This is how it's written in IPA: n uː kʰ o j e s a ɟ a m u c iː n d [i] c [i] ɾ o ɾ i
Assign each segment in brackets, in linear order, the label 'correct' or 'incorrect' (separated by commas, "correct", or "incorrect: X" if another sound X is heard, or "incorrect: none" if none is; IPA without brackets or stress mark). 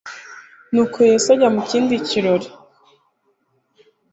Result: correct, correct